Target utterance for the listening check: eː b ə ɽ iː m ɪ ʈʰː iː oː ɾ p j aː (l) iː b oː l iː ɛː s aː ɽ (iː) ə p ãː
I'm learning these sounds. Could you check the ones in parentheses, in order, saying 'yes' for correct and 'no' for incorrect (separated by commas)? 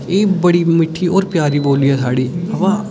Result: no, yes